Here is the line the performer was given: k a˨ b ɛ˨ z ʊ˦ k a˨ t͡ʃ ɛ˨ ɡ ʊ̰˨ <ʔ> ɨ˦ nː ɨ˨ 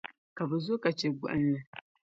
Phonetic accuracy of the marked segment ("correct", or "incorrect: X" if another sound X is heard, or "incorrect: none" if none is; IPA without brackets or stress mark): correct